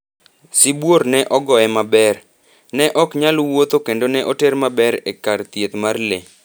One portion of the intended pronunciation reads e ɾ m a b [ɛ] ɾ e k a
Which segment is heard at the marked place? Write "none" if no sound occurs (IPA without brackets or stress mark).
ɛ